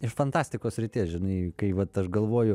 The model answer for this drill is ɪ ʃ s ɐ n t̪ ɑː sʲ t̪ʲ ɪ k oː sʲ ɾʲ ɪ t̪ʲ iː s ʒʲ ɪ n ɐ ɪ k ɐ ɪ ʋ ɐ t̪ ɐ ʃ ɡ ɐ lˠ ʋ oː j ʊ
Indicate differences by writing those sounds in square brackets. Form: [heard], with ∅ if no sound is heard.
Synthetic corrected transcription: ɪ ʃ [f] ɐ n t̪ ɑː sʲ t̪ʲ ɪ k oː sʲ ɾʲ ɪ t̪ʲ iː s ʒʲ ɪ n ɐ ɪ k ɐ ɪ ʋ ɐ t̪ ɐ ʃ ɡ ɐ lˠ ʋ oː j ʊ